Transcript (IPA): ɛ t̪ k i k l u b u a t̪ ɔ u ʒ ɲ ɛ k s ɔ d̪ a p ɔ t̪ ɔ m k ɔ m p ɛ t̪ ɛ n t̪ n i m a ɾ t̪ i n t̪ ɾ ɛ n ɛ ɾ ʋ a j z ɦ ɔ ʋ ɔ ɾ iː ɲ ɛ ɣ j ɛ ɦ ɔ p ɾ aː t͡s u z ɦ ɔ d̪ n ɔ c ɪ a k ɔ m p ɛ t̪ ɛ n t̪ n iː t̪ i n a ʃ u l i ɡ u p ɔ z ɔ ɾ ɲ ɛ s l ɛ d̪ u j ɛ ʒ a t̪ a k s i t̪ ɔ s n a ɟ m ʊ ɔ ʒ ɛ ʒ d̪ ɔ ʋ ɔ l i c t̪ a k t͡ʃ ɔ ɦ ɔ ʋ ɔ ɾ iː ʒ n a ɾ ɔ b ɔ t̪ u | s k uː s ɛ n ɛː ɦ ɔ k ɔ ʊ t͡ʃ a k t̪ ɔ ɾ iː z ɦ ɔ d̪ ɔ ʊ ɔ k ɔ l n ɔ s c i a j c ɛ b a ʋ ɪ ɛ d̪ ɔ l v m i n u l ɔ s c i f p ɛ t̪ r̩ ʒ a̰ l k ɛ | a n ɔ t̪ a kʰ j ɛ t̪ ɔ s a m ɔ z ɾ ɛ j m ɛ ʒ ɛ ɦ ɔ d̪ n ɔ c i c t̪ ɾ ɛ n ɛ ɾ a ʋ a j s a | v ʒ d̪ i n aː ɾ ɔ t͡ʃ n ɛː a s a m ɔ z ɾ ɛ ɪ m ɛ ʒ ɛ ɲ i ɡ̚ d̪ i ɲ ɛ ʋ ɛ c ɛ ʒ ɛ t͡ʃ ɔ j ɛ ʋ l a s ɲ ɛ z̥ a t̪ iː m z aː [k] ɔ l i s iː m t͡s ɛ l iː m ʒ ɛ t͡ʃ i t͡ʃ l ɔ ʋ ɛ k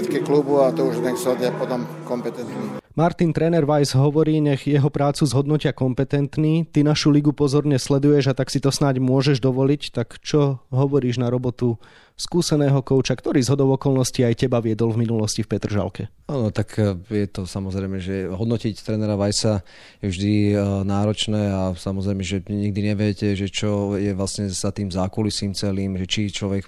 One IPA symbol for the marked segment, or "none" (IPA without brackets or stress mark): k